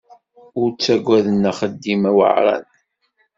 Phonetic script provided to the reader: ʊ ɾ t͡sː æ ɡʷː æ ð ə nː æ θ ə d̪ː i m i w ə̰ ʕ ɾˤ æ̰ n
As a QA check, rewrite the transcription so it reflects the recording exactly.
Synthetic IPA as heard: ʊ ɾ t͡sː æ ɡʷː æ ð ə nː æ χ ə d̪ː i m æ w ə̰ ʕ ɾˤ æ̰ n